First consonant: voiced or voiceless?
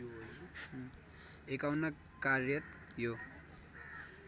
voiceless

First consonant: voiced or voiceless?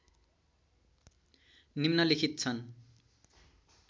voiced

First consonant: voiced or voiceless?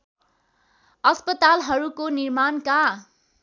voiceless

